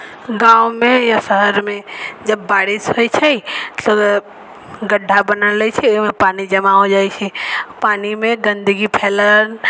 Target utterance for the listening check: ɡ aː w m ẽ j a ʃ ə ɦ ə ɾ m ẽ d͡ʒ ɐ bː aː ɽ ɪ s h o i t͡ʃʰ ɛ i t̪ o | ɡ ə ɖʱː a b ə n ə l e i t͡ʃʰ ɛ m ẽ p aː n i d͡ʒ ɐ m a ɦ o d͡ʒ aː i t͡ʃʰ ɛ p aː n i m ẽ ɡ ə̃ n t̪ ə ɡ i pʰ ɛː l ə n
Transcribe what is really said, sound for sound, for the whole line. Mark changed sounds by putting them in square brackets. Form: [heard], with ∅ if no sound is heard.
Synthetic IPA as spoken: ɡ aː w m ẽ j a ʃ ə ɦ ə ɾ m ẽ d͡ʒ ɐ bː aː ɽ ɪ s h o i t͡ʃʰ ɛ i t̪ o | ɡ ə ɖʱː a b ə n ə l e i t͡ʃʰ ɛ m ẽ p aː n i d͡ʒ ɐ m a ɦ o d͡ʒ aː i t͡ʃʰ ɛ p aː n i m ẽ ɡ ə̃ n [d̪] ə ɡ i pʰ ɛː l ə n

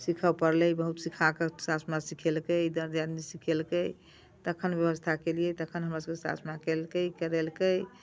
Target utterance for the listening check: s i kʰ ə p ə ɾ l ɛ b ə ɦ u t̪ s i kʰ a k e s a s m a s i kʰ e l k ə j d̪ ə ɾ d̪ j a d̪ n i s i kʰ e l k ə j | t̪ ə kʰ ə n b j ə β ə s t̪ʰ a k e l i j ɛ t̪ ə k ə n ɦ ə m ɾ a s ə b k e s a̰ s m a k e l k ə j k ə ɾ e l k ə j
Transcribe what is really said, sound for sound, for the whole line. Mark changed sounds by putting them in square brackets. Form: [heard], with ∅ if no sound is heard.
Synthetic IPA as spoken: s i kʰ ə p ə ɾ l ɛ b ə ɦ u t̪ s i kʰ a k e s a s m a s i kʰ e l k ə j d̪ ə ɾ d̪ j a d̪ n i s i kʰ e l k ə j | t̪ ə kʰ ə n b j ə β ə s t̪ʰ a k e l i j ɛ t̪ ə [kʰ] ə n ɦ ə m ɾ a s ə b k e s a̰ s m a k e l k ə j k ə ɾ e l k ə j

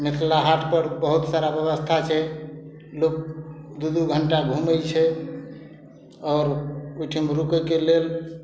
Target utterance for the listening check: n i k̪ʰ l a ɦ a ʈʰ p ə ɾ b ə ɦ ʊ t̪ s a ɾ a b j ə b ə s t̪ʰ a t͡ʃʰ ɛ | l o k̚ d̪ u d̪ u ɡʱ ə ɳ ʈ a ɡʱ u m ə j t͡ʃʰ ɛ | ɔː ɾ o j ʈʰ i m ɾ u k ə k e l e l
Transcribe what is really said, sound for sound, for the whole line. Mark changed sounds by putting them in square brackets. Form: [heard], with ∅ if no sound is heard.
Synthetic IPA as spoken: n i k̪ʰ l a ɦ a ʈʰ p ə ɾ b ə ɦ [u] t̪ s a ɾ a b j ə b ə s t̪ʰ a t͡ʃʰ ɛ | l o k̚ d̪ u d̪ u ɡʱ ə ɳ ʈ a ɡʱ u m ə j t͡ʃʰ ɛ | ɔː ɾ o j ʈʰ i m ɾ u k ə k e l e l

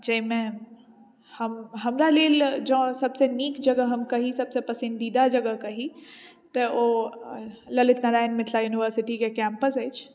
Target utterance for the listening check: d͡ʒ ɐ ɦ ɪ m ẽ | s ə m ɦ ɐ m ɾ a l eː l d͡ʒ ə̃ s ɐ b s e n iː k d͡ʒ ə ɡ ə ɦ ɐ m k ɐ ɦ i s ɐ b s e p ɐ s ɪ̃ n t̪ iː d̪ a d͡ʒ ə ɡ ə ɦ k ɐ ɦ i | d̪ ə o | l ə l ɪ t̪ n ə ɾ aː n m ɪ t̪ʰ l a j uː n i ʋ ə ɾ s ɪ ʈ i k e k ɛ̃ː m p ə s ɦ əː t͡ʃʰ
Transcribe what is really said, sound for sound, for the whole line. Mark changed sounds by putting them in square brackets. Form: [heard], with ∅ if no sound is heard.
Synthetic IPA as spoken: d͡ʒ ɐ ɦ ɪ m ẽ | [h] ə m ɦ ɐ m ɾ a l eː l d͡ʒ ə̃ s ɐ b s e n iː k d͡ʒ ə ɡ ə ɦ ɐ m k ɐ ɦ i s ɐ b s e p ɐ s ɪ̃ n [d̪] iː d̪ a d͡ʒ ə ɡ ə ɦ k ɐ ɦ i | [t̪] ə o | l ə l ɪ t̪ n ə ɾ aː n m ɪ t̪ʰ l a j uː n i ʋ ə ɾ s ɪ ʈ i k e k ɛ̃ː m p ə s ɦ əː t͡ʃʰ

